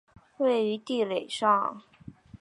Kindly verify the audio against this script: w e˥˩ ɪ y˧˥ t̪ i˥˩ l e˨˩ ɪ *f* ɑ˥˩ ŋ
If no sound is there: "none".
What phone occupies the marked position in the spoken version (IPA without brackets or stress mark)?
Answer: ʂ